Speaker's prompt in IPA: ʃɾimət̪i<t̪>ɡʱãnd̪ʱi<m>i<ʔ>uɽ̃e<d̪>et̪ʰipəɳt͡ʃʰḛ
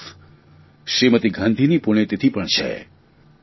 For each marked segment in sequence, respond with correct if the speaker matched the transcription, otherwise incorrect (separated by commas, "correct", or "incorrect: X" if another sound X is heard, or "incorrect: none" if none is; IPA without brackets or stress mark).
incorrect: none, incorrect: n, incorrect: p, incorrect: t̪